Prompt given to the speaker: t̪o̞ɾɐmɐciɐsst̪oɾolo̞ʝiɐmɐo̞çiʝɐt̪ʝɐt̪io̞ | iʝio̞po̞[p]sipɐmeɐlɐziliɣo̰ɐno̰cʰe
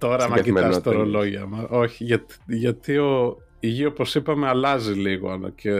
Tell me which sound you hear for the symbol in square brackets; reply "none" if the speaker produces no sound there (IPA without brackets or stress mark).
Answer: none